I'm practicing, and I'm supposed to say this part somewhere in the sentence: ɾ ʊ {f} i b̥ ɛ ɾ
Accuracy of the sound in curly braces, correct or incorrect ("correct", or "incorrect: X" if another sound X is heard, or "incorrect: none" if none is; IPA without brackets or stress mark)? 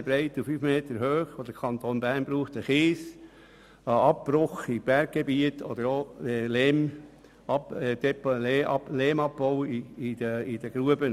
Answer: incorrect: χ